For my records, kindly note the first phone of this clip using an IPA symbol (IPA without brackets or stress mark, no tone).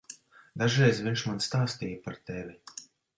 d̪